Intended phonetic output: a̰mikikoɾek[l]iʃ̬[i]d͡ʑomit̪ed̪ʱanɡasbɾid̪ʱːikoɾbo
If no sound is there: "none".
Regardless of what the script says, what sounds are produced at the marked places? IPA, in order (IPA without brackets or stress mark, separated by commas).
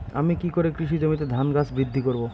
ɾ, i